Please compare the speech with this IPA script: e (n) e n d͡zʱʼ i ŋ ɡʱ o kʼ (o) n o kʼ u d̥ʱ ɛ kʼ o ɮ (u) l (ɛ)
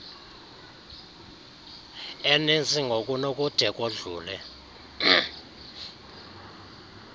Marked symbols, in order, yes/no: yes, no, no, yes

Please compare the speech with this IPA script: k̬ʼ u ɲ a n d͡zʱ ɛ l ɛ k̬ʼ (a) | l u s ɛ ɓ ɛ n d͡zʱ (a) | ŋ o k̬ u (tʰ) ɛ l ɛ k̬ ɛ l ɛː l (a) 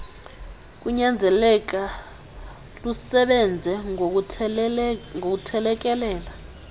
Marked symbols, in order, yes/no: yes, no, yes, yes

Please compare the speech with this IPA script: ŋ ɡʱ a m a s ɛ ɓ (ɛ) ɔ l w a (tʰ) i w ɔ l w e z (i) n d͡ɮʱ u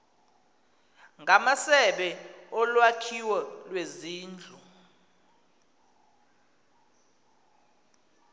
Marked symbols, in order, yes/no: yes, no, no

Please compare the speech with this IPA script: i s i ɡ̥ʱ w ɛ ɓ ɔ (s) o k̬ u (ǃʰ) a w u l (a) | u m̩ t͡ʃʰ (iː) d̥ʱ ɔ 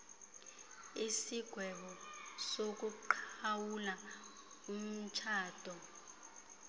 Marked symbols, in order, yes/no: yes, yes, yes, no

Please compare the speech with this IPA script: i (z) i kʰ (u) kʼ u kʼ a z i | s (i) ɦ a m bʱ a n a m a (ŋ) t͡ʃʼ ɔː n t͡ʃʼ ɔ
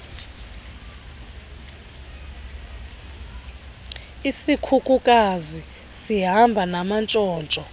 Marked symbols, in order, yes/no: no, yes, yes, no

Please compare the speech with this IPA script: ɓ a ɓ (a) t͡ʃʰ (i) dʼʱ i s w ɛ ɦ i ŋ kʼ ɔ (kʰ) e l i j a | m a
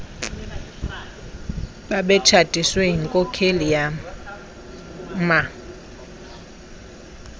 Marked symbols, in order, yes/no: no, no, yes

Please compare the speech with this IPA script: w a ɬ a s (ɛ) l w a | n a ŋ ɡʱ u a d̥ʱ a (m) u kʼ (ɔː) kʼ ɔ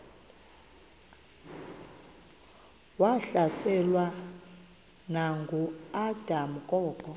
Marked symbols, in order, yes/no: yes, yes, yes

